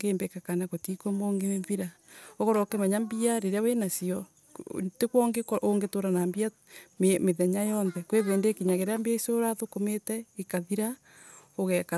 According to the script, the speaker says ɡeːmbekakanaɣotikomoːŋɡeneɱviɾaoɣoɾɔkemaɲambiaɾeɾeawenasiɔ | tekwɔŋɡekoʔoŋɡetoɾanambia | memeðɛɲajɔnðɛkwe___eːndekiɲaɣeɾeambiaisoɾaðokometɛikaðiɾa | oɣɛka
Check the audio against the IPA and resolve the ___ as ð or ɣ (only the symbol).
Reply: ð